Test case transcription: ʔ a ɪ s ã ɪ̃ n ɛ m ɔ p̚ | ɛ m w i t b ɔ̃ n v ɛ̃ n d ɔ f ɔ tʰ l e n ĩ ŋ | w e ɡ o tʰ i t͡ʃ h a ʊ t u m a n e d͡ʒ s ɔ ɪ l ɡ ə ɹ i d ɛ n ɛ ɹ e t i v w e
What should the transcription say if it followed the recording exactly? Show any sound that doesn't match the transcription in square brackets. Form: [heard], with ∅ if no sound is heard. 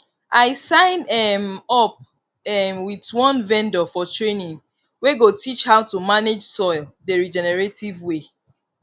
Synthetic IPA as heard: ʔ a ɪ s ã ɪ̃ n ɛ m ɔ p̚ | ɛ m w i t [w] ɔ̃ n v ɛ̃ n d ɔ f ɔ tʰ [ɹ] e n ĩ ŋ | w e ɡ o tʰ i t͡ʃ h a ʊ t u m a n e d͡ʒ s ɔ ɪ l [d] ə ɹ i [d͡ʒ] ɛ n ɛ ɹ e t i v w e